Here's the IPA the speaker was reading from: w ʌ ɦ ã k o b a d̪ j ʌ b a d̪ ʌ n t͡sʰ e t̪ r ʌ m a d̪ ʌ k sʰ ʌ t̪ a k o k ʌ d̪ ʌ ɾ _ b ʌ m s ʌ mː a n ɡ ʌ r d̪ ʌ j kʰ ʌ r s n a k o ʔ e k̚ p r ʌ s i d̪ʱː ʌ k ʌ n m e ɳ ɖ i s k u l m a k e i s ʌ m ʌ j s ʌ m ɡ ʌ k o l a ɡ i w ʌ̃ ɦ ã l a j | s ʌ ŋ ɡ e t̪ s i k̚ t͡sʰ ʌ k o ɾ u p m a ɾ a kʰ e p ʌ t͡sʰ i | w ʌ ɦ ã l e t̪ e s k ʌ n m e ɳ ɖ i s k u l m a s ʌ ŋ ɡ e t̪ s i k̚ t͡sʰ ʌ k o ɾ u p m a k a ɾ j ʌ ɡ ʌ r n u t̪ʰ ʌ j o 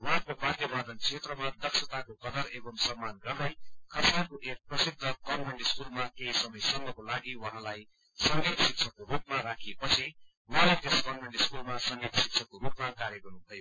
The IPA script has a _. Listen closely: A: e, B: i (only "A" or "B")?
A